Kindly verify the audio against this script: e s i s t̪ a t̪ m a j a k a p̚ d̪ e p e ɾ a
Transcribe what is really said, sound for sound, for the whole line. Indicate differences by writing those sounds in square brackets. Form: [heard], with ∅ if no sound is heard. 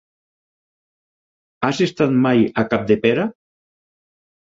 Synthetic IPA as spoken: [a] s [e] s t̪ a t̪ m a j a k a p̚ d̪ e p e ɾ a